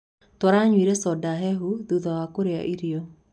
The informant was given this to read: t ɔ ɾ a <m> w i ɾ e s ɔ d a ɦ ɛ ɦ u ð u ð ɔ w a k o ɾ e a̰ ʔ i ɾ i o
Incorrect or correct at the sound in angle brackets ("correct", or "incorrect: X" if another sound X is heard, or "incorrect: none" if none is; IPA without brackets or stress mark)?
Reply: incorrect: ɲ